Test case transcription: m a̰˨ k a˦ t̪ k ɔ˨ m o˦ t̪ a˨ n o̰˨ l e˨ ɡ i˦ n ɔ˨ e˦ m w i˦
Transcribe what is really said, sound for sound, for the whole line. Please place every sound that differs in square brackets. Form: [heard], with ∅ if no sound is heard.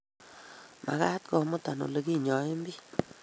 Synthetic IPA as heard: m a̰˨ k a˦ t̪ k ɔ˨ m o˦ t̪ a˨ n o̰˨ l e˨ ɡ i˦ [ɲ] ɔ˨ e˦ m [b] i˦